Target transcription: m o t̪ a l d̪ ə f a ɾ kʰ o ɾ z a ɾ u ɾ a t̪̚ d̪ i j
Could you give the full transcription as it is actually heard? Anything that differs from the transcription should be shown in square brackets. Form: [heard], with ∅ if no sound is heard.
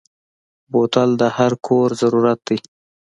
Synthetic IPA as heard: [b] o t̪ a l d̪ ə [h] a ɾ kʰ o ɾ z a ɾ u ɾ a t̪̚ d̪ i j